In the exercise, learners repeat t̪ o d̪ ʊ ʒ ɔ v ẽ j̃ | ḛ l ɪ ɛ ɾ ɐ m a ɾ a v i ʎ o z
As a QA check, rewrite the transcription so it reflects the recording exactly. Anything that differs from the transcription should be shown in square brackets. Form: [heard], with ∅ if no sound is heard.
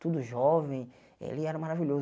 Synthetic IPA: t̪ [u] d̪ ʊ ʒ ɔ v ẽ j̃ | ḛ l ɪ ɛ ɾ ɐ m a ɾ a v i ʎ o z